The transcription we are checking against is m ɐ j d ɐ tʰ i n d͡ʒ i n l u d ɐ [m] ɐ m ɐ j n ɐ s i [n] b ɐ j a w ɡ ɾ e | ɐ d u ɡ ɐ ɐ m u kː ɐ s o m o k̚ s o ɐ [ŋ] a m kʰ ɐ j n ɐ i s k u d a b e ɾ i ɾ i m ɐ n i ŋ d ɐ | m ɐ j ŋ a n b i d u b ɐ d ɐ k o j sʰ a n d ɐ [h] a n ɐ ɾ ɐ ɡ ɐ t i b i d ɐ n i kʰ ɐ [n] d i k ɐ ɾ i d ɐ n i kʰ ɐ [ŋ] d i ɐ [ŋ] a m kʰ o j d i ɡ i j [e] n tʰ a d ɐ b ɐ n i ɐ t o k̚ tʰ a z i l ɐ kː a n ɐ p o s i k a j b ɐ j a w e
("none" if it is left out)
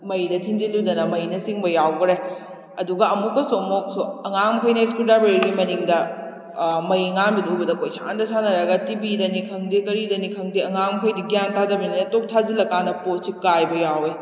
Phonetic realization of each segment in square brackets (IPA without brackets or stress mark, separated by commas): n, ŋ, ŋ, s, ŋ, ŋ, ŋ, a